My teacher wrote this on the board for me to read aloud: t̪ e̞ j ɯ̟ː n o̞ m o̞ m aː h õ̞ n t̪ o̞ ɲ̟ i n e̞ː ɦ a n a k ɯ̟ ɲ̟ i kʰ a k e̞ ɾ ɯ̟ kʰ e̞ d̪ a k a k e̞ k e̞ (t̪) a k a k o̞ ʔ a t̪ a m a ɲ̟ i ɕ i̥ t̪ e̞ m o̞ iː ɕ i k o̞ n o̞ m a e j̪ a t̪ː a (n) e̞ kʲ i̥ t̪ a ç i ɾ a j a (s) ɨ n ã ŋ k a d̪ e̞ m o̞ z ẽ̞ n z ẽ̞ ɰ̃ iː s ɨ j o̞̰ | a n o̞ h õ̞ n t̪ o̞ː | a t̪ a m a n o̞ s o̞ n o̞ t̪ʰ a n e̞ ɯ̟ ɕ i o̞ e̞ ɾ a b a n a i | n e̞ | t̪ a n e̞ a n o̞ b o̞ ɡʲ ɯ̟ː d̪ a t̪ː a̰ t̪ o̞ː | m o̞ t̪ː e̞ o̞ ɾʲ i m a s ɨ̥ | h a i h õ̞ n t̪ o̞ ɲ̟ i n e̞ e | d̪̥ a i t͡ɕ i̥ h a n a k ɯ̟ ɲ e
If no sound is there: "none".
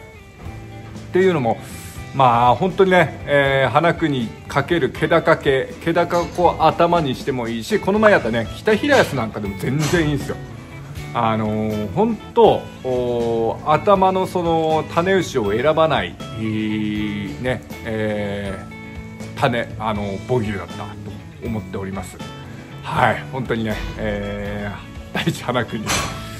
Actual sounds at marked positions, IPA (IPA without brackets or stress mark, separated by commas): d̪, n, s